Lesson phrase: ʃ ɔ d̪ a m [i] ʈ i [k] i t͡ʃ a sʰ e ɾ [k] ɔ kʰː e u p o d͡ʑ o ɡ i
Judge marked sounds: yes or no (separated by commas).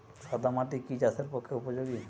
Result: no, yes, no